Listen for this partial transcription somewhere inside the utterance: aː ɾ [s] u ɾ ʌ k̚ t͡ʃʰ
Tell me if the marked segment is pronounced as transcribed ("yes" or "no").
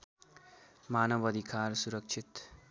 yes